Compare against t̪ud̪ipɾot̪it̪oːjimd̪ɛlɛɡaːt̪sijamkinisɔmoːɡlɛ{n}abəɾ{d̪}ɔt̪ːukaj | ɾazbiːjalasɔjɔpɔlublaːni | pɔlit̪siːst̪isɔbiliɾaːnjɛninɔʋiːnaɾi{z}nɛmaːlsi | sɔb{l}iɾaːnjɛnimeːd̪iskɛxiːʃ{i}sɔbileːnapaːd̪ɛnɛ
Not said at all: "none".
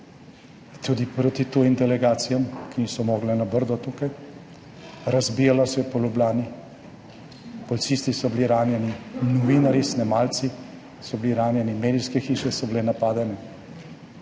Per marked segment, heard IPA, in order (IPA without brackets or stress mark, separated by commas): n, d̪, s, l, ɛ